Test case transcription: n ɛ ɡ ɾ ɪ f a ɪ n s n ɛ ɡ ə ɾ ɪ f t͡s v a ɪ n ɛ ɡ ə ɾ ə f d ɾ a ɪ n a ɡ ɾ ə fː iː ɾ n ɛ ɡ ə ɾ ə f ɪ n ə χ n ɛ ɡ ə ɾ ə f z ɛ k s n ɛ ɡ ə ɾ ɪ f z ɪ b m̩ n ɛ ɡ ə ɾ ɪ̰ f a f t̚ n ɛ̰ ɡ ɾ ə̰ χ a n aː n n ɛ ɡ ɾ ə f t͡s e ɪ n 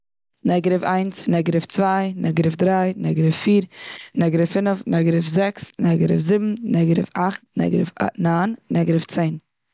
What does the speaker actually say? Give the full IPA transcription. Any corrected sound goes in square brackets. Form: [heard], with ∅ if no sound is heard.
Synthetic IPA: n ɛ ɡ ɾ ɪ f a ɪ n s n ɛ ɡ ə ɾ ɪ f t͡s v a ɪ n ɛ ɡ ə ɾ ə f d ɾ a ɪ n [ɛ] ɡ ɾ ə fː iː ɾ n ɛ ɡ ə ɾ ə f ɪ n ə [f] n ɛ ɡ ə ɾ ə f z ɛ k s n ɛ ɡ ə ɾ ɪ f z ɪ b m̩ n ɛ ɡ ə ɾ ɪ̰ f a [χ] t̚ n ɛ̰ ɡ ɾ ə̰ [f] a n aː n n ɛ ɡ ɾ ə f t͡s e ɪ n